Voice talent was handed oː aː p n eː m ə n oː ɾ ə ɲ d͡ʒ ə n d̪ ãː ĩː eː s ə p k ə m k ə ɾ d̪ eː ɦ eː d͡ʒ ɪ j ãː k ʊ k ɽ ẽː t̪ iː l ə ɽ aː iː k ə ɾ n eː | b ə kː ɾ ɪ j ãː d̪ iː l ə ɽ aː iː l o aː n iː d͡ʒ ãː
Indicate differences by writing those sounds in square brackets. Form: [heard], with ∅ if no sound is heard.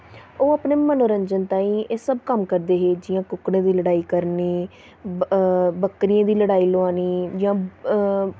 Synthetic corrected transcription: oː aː p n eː m ə n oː ɾ ə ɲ d͡ʒ ə n [t̪] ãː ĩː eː s ə [b] k ə m k ə ɾ d̪ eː ɦ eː d͡ʒ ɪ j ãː k ʊ k ɽ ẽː [d̪] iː l ə ɽ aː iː k ə ɾ n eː | b ə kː ɾ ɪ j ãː d̪ iː l ə ɽ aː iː l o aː n iː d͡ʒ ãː